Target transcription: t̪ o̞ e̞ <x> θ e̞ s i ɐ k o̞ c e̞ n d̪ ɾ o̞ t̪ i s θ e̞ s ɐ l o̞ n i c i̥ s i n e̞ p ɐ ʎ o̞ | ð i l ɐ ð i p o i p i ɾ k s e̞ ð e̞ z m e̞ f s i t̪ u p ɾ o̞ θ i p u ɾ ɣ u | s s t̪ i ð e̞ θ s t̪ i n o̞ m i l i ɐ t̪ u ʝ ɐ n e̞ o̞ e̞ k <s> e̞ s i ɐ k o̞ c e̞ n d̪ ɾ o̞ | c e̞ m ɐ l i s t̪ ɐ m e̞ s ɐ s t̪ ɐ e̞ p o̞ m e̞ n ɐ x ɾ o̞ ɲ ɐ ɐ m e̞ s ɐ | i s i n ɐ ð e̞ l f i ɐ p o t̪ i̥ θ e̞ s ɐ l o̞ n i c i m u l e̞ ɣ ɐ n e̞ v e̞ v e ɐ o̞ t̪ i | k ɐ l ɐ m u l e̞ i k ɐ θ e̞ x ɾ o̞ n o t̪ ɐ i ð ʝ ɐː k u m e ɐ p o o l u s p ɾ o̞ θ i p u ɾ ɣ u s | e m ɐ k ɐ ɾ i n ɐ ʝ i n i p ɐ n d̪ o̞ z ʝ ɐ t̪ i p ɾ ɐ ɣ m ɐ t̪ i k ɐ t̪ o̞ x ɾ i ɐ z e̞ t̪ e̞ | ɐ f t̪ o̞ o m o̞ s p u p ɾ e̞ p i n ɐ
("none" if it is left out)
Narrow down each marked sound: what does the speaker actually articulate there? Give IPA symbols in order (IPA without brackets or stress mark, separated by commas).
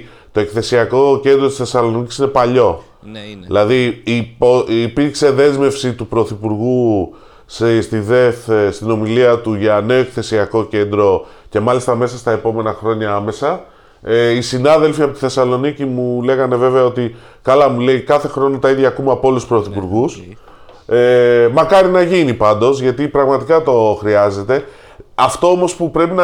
k, θ